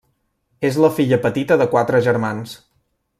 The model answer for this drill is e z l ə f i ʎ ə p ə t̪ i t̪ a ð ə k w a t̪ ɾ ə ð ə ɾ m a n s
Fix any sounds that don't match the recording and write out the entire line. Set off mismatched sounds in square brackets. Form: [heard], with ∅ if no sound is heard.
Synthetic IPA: e z l ə f i ʎ ə p ə t̪ i t̪ [ə] ð ə k w a t̪ ɾ ə [ʒ] ə ɾ m a n s